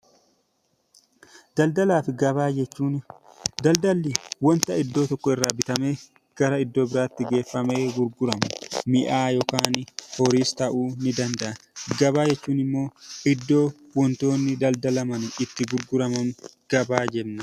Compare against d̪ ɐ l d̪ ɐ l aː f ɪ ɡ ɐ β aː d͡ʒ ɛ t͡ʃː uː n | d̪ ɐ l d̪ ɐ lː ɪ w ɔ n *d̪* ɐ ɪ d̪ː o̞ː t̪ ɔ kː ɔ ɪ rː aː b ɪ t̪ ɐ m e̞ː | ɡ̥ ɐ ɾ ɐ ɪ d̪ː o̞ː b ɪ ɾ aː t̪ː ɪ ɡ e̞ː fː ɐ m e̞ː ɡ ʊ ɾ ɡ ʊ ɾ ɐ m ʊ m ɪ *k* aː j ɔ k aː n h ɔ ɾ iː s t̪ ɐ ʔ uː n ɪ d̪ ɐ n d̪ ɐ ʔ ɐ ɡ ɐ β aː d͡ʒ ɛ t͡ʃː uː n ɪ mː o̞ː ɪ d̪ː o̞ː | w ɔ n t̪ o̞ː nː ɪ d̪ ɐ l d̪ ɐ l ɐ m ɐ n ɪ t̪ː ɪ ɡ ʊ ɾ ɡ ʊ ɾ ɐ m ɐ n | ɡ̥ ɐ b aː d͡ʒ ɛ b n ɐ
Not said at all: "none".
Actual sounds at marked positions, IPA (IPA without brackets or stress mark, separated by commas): t̪, ʔ